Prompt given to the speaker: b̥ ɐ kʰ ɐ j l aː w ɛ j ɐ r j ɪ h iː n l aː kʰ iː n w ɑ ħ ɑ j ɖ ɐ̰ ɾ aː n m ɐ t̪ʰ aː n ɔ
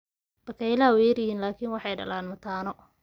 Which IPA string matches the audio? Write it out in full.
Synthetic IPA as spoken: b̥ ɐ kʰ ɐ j l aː w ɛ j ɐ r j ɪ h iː n l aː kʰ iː n w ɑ ħ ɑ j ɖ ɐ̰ l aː n m ɐ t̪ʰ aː n ɔ